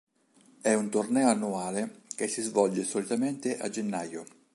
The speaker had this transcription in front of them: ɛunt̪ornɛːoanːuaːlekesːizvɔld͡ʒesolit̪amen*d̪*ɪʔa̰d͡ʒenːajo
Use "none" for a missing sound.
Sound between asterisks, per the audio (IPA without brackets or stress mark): t̪